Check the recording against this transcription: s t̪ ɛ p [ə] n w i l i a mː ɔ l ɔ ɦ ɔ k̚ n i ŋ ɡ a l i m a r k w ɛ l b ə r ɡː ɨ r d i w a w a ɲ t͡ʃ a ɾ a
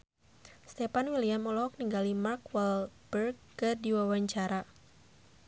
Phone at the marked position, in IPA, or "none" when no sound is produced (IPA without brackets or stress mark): a